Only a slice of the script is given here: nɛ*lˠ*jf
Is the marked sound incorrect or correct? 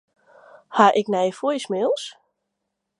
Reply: incorrect